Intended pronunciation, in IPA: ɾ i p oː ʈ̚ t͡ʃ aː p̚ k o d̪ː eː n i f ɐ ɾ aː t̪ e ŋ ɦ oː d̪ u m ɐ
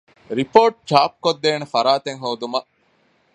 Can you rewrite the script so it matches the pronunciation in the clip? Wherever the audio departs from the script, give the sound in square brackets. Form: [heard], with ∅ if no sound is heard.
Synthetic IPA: ɾ i p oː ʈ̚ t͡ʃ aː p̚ k o d̪ː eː n [e] f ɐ ɾ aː t̪ e ŋ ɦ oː d̪ u m ɐ